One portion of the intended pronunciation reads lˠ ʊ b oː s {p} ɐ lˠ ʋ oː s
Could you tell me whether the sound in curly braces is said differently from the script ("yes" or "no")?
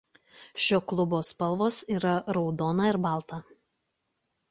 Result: no